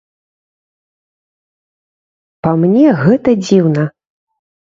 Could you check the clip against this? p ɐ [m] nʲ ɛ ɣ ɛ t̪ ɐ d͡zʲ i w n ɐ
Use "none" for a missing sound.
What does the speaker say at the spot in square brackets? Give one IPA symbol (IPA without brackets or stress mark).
m